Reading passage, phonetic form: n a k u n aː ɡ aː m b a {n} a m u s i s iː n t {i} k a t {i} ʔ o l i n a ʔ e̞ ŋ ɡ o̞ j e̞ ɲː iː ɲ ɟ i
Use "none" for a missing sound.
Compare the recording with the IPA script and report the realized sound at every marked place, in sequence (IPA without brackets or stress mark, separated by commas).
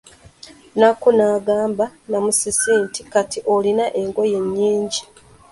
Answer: n, i, i